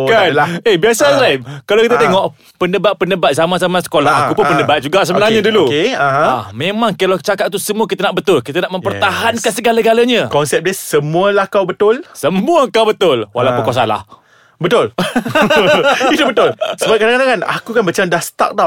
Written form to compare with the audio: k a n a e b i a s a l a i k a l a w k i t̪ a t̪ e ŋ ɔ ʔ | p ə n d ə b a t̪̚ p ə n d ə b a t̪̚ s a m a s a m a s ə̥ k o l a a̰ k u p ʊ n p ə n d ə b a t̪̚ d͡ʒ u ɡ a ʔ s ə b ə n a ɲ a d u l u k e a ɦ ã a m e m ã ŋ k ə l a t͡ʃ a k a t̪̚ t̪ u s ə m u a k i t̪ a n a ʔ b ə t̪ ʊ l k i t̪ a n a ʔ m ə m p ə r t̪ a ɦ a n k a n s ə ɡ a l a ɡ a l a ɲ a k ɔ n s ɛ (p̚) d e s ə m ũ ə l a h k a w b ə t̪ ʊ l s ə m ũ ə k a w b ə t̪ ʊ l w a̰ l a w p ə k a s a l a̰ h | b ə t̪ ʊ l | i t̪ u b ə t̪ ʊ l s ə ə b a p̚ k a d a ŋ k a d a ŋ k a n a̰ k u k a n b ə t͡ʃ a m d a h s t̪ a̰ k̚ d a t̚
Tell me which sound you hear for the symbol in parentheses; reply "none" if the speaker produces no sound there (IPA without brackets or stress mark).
p̚